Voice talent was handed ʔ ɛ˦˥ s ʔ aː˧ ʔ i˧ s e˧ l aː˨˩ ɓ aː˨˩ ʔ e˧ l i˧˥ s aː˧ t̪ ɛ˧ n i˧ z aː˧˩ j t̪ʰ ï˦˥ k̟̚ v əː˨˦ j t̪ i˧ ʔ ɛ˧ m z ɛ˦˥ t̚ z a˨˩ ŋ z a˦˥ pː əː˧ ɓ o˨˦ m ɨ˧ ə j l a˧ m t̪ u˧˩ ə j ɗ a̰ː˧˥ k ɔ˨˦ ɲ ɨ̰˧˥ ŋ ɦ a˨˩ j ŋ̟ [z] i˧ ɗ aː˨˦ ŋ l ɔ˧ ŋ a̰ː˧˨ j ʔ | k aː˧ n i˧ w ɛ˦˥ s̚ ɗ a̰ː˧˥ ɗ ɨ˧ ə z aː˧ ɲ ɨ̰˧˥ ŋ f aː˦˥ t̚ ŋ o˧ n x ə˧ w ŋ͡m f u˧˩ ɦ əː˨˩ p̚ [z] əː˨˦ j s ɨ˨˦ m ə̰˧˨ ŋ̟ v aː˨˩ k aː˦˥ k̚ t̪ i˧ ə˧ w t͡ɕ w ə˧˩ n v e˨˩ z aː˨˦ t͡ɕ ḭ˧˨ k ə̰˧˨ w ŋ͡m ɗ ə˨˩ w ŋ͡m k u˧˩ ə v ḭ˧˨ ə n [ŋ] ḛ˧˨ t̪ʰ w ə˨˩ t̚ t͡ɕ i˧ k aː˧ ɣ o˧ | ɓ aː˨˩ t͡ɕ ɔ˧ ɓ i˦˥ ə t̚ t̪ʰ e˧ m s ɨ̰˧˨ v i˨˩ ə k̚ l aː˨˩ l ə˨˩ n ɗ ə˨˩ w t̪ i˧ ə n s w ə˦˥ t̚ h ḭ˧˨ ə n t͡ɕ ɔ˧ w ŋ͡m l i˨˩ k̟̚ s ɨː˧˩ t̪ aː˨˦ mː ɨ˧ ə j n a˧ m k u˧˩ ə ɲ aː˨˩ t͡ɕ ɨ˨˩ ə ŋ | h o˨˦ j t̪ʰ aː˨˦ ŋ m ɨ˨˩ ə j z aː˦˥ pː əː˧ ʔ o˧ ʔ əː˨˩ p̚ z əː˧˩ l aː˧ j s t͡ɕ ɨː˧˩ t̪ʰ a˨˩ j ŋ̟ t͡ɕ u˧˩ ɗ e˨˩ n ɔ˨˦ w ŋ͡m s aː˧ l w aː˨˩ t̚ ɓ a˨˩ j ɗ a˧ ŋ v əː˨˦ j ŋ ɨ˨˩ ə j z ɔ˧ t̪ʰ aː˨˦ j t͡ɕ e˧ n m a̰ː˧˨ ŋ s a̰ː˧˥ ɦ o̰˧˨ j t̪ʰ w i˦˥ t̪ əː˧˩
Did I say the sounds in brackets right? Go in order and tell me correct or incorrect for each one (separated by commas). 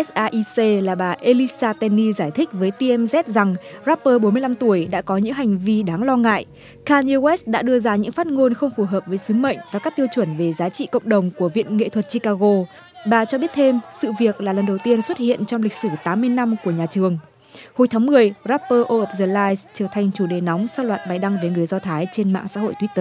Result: incorrect, incorrect, correct